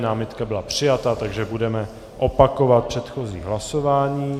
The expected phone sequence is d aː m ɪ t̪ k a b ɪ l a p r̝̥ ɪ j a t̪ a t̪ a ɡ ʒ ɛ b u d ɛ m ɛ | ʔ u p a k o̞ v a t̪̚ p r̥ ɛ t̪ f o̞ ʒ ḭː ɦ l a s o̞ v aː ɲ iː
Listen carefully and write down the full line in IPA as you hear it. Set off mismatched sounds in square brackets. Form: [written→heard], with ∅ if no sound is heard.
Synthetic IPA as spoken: [d→n] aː m ɪ t̪ k a b ɪ l a p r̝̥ ɪ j a t̪ a t̪ a ɡ ʒ ɛ b u d ɛ m ɛ | ʔ [u→o] p a k o̞ v a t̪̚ p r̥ ɛ t̪ [f→x] o̞ [ʒ→z] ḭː ɦ l a s o̞ v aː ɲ iː